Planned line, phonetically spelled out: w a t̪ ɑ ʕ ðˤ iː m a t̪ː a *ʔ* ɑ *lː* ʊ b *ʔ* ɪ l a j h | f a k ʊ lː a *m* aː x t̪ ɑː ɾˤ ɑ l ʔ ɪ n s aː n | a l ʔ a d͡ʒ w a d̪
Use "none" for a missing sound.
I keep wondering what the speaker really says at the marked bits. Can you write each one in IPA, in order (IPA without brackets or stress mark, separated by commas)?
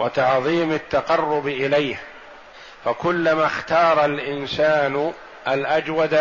q, rː, ʔ, m